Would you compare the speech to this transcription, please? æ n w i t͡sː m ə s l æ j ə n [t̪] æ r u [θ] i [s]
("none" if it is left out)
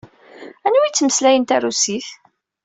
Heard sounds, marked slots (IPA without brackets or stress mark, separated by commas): t̪, s, θ